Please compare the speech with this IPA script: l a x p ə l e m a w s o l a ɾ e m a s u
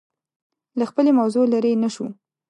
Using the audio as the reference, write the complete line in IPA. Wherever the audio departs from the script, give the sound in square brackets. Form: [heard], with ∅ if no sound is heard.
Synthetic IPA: l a x p ə l e m a w [z] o l a ɾ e [n] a [ʃ] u